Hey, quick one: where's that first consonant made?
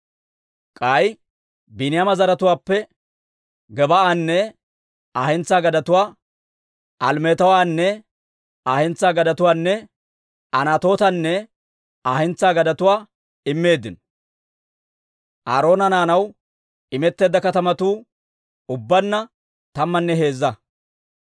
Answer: velum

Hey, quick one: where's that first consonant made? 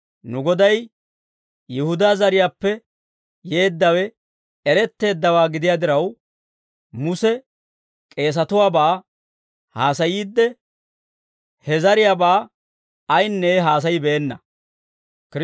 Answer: tongue tip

